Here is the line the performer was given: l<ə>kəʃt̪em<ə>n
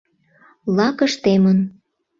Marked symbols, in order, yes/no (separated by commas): no, yes